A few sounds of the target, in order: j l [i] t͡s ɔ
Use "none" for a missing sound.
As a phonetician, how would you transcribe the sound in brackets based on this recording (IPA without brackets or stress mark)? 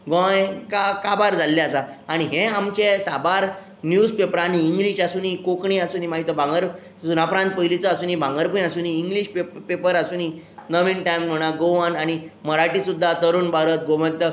i